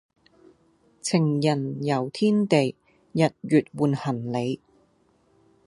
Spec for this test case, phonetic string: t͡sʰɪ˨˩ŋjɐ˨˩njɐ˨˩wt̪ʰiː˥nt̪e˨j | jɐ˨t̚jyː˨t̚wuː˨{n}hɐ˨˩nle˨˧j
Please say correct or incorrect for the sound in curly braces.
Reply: correct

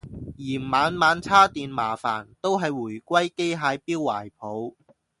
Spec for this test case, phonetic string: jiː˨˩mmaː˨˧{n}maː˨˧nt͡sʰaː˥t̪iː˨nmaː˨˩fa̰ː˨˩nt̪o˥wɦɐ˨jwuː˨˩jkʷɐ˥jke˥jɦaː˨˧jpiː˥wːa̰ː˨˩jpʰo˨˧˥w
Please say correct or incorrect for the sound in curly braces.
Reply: correct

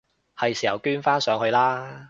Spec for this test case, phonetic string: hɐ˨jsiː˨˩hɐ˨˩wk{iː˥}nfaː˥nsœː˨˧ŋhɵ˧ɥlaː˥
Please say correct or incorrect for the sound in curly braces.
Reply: incorrect: yː˥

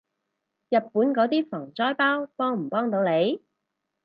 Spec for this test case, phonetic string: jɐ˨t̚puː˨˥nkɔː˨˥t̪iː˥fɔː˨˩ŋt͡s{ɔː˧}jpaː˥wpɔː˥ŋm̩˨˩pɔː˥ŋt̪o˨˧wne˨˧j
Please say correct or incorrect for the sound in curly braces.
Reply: incorrect: ɔː˥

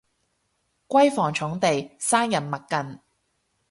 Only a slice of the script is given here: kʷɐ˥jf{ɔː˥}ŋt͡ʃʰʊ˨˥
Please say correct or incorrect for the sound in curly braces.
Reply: incorrect: ɔː˨˩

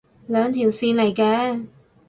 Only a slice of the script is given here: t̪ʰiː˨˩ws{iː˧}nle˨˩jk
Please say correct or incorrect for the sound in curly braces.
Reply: correct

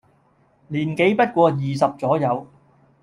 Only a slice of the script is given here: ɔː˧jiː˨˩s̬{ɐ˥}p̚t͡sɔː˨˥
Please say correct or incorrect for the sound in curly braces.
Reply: incorrect: ɐ˨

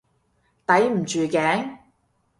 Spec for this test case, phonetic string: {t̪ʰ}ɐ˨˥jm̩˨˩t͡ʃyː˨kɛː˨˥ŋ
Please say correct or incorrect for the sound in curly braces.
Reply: incorrect: t̪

